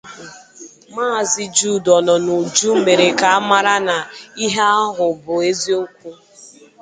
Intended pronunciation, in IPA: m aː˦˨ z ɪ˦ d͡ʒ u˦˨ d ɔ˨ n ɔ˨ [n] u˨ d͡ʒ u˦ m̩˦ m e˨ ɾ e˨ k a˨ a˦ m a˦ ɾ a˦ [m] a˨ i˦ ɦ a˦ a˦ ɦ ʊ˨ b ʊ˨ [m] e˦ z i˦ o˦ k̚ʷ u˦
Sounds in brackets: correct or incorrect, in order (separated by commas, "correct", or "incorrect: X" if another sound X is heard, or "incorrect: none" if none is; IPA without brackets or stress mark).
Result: correct, incorrect: n, incorrect: none